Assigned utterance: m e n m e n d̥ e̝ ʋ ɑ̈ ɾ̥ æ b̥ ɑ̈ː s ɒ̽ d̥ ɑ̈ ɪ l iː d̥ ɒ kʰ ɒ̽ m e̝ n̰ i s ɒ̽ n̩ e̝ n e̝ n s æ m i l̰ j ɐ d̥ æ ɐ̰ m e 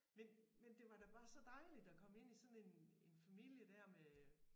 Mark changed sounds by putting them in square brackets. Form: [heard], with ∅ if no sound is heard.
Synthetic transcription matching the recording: m e n m e n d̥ e̝ ʋ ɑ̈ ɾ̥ æ b̥ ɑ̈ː s ɒ̽ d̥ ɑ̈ ɪ l [i] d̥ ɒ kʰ ɒ̽ m e̝ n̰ i s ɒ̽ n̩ e̝ n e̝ n [f] æ m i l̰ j [ə] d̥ æ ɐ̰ m e